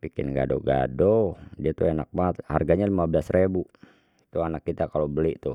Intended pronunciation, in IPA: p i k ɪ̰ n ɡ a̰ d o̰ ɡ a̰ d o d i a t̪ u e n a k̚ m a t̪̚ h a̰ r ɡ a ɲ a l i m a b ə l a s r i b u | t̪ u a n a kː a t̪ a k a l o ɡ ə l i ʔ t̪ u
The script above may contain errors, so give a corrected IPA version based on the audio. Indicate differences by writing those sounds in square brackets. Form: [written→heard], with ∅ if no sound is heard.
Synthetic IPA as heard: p i k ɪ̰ n ɡ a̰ d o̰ ɡ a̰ d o d i a t̪ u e n a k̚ m a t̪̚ h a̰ r ɡ a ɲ a l i m a b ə l a s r [i→e] b u | t̪ u a n a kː [a→i] t̪ a k a l o [ɡ→b] ə l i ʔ t̪ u